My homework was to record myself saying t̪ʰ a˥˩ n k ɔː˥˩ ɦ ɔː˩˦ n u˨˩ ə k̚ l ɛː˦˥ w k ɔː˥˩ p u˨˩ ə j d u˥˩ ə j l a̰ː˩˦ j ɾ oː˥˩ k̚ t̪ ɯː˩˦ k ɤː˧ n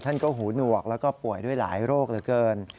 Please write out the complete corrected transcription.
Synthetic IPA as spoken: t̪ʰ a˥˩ n k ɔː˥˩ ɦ uː˩˦ n u˨˩ ə k̚ l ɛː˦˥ w k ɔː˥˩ p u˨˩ ə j d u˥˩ ə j l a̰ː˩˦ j ɾ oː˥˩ k̚ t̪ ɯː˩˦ k ɤː˧ n